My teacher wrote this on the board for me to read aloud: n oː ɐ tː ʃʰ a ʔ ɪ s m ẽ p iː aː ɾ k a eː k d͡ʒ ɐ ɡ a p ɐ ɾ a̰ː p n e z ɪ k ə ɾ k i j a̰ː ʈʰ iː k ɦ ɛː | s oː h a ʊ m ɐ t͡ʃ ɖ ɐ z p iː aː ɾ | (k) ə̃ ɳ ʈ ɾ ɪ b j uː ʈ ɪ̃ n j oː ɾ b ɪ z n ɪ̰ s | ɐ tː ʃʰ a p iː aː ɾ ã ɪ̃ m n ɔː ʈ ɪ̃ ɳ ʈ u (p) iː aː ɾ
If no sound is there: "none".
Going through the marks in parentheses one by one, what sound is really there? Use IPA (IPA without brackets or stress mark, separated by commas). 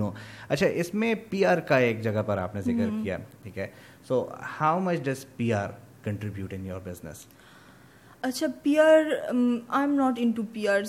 k, p